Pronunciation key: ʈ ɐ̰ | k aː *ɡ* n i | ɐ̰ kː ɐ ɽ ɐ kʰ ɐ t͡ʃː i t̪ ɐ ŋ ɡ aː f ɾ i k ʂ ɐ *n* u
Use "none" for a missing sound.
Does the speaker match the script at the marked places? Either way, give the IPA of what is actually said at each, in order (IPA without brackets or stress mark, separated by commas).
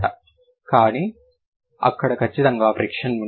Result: none, n